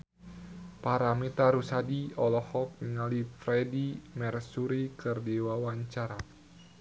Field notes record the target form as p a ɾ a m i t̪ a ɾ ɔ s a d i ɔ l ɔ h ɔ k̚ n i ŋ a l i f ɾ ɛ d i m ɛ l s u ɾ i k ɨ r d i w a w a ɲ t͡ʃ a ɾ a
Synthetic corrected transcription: p a ɾ a m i t̪ a ɾ u s a d i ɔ l ɔ h ɔ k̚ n i ŋ a l i f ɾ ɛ d i m ɛ r s u ɾ i k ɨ r d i w a w a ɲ t͡ʃ a ɾ a